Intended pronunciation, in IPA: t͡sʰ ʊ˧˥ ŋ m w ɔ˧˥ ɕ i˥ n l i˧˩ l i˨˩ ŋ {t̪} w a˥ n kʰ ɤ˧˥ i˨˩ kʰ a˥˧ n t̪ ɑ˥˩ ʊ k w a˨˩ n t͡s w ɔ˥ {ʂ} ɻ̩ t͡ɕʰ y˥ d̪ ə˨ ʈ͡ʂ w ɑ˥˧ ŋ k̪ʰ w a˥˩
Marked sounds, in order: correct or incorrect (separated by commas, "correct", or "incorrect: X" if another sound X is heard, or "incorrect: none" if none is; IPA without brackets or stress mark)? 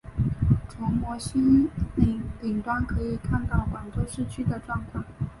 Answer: correct, correct